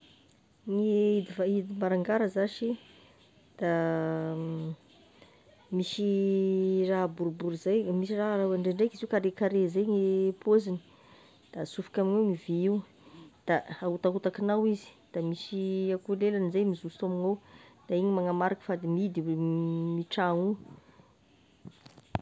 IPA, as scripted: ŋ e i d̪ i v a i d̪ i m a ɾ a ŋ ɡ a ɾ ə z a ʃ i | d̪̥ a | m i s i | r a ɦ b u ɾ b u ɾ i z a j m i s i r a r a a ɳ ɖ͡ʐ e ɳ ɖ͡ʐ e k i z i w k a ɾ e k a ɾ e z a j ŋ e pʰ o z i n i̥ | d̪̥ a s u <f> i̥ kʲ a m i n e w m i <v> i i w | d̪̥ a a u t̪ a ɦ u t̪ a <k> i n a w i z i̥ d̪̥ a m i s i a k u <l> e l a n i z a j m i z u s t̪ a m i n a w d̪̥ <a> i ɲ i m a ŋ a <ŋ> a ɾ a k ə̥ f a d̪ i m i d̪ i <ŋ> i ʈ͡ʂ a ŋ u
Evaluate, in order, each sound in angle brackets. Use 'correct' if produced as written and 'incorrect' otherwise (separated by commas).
correct, correct, correct, correct, correct, incorrect, incorrect